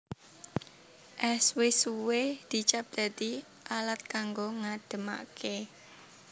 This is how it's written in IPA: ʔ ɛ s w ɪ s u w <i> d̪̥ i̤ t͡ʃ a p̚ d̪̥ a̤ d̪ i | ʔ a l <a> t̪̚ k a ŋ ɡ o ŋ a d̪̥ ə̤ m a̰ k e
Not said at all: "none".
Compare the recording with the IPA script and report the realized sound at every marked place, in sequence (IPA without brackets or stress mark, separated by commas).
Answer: e, a